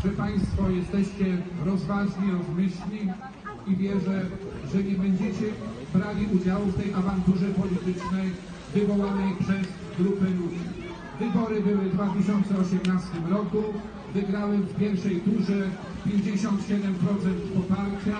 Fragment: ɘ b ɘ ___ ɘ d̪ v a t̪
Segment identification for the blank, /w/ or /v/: w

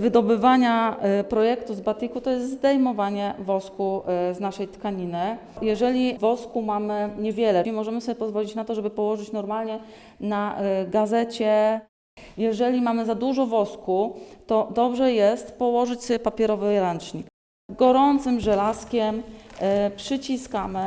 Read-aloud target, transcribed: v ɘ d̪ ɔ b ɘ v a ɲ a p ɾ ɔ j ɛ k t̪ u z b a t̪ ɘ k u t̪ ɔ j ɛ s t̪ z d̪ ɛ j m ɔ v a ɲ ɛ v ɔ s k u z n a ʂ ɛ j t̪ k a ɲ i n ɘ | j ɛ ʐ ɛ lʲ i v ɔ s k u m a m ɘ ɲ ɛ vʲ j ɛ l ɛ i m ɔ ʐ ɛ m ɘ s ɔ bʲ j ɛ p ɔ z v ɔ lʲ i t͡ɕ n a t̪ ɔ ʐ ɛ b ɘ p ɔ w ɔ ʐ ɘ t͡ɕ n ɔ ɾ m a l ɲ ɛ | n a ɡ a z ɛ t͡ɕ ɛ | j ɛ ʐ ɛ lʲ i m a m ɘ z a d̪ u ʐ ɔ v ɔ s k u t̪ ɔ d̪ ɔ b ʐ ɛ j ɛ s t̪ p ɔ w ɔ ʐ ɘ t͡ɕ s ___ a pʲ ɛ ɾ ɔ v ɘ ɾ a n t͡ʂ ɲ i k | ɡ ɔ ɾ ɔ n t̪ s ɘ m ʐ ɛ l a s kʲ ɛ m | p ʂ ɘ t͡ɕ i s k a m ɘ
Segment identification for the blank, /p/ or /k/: p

